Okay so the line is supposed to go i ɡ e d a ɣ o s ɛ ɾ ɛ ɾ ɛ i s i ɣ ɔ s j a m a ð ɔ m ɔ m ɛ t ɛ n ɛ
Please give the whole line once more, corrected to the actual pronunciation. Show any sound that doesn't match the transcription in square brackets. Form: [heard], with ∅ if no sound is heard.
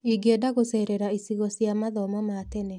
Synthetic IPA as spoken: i ɡ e d a ɣ o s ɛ ɾ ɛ ɾ [a] i s i ɣ ɔ s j a m a ð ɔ m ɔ m [a] t ɛ n ɛ